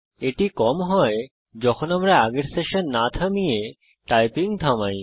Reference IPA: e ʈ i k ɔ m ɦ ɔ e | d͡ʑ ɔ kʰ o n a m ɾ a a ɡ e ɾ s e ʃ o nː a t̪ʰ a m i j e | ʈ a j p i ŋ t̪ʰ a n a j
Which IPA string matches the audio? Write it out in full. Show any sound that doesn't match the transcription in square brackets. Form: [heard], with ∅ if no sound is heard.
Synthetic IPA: e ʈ i k ɔ m ɦ ɔ e | d͡ʑ ɔ kʰ o n a m ɾ a a ɡ e ɾ s e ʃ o nː a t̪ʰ a m i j e | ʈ a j p i ŋ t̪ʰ a [m] a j